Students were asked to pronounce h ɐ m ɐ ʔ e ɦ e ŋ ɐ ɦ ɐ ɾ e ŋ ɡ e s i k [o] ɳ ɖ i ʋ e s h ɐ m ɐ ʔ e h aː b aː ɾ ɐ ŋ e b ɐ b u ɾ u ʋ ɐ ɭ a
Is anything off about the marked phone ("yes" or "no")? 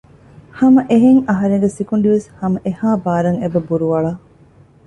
yes